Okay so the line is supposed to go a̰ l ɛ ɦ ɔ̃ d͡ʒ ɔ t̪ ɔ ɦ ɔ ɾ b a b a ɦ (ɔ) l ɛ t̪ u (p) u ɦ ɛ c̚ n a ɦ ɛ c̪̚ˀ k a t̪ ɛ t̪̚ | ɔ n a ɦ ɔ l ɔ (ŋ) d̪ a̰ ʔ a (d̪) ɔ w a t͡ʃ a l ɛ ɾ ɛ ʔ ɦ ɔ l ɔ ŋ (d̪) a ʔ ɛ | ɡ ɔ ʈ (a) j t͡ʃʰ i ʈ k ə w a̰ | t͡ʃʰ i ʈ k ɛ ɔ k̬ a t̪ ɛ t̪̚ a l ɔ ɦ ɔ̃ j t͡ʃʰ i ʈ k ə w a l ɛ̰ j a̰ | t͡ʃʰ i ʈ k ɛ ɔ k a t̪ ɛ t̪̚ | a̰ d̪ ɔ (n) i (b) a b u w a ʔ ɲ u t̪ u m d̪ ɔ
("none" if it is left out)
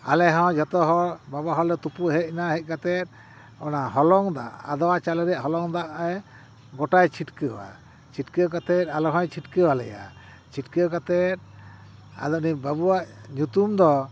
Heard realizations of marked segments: ɔ, p, ŋ, d̪, d̪, a, n, b

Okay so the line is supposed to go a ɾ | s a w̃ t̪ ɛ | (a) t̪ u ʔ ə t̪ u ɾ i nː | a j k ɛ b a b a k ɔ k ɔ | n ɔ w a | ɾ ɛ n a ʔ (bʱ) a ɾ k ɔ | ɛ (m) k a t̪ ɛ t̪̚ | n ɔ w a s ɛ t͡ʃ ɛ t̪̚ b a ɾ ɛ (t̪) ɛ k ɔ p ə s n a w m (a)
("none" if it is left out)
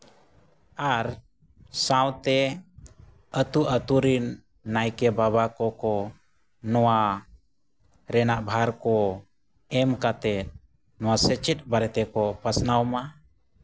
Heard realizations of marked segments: ə, bʱ, m, t̪, a

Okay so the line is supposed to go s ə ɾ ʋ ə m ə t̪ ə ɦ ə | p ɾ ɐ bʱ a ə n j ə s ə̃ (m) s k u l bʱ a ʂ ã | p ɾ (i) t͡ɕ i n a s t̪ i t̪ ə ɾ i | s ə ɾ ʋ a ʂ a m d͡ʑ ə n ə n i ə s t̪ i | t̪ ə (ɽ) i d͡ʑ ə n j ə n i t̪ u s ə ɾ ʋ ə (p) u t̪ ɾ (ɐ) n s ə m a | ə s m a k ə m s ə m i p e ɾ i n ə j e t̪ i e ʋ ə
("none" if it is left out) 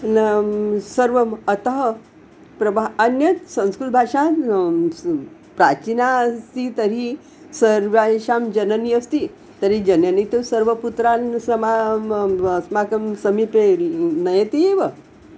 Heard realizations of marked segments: n, a, ɾ, p, a

